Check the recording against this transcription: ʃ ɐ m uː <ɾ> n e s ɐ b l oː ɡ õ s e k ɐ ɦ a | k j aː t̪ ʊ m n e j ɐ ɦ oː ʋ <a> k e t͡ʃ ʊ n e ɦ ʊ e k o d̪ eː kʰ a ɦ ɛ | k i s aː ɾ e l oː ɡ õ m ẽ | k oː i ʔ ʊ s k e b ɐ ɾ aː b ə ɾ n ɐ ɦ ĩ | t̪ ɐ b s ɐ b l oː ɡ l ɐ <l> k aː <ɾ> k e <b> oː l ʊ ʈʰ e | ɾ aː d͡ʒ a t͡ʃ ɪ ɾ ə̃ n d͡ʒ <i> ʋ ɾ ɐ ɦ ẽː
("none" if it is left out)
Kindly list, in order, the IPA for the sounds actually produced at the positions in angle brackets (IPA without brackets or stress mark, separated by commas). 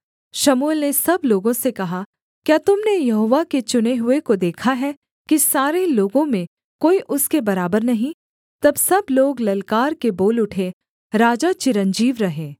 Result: l, a, l, ɾ, b, iː